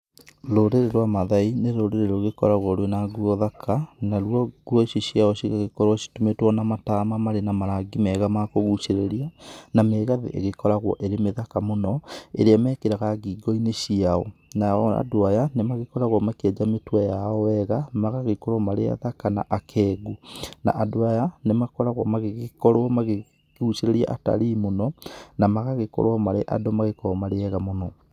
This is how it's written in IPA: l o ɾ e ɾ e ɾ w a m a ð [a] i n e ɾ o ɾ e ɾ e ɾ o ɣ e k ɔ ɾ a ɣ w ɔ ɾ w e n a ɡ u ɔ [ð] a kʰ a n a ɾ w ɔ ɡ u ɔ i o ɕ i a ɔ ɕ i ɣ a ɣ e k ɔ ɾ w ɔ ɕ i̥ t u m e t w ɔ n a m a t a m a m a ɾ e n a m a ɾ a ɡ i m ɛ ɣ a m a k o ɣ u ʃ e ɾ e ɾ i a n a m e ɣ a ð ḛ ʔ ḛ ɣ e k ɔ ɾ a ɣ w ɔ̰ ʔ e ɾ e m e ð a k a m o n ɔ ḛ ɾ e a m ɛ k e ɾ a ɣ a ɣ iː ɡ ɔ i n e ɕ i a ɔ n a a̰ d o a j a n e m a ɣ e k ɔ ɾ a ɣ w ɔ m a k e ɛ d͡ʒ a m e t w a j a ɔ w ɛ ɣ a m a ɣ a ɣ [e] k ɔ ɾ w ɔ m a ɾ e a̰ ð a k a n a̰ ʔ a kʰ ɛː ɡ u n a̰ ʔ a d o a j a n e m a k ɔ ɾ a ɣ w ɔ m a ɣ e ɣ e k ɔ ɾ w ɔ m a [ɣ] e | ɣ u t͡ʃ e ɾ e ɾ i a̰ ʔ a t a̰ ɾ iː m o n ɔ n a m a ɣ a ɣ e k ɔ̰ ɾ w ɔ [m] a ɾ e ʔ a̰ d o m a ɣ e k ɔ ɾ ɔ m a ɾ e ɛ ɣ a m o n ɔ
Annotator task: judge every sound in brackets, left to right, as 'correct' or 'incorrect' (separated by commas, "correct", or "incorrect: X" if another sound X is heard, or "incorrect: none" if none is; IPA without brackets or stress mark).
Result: correct, correct, correct, correct, correct